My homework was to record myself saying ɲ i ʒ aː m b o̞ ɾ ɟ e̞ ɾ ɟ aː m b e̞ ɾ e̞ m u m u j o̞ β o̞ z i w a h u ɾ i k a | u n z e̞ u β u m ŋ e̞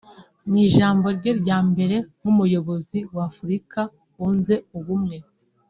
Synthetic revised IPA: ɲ i ʒ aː m b o̞ ɾ ɟ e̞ ɾ ɟ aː m b e̞ ɾ e̞ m u m u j o̞ β o̞ z i w a f u ɾ i k a | u n z e̞ u β u m ŋ e̞

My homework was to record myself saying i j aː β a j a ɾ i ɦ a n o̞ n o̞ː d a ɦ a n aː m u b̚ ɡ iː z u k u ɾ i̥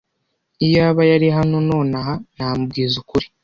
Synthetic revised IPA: i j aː β a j a ɾ i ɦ a n o̞ n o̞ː n a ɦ a n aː m u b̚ ɡ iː z u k u ɾ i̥

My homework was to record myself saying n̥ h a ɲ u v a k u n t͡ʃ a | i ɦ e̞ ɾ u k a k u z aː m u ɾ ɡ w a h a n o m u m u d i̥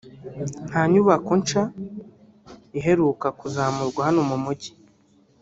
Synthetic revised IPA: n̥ h a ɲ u β a k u n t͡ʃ a | i ɦ e̞ ɾ u k a k u z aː m u ɾ ɡ w a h a n o m u m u ɟ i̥

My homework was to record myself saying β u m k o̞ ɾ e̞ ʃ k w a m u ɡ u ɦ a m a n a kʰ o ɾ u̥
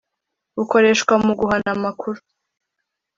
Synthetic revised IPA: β u k o̞ ɾ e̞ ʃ k w a m u ɡ u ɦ a n a m a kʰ u ɾ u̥

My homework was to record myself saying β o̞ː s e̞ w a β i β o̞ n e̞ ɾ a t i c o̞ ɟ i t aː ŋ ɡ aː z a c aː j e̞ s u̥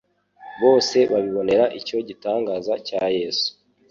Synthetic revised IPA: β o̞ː s e̞ β a β i β o̞ n e̞ ɾ a ʔ i c o̞ ɟ i t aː ŋ ɡ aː z a c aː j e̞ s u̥

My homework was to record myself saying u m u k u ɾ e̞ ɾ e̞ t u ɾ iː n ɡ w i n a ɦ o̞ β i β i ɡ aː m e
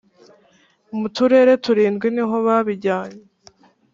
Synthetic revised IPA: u m u t u ɾ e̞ ɾ e̞ t u ɾ iː n ɡ w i n i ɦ o̞ β a β i ɟ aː ɲ e

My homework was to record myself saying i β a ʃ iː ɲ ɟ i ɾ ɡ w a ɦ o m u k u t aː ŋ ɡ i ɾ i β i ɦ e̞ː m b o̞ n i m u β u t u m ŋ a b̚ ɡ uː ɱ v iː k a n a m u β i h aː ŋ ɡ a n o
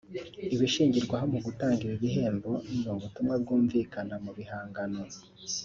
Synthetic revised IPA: i β i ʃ iː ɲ ɟ i ɾ ɡ w a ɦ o m u ɡ u t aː ŋ ɡ i ɾ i β i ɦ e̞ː m b o̞ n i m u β u t u m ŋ a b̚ ɡ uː ɱ v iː k a n a m u β i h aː ŋ ɡ a n o

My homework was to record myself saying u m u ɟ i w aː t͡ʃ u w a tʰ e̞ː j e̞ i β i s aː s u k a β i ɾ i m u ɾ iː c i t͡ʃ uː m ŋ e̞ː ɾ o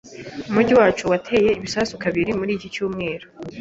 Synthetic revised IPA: u m u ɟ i w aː t͡ʃ u w a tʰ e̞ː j e̞ i β i s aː s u k a β i ɾ i m u ɾ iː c i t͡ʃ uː m ŋ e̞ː ɾ o

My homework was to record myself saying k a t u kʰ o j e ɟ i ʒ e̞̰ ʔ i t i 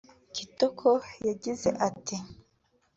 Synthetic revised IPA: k i t o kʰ o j a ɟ i z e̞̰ ʔ a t i

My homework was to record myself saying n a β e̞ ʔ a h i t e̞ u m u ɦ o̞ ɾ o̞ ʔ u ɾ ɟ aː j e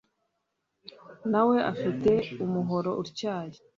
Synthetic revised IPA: n a w e̞ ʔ a f i t e̞ u m u ɦ o̞ ɾ o̞ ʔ u ɾ c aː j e

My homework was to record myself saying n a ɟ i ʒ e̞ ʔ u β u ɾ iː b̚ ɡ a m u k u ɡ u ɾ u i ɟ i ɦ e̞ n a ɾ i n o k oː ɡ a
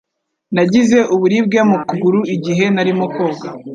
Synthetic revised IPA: n a ɟ i z e̞ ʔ u β u ɾ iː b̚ ɡ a m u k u ɡ u ɾ u i ɟ i ɦ e̞ n a ɾ i m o k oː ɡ a

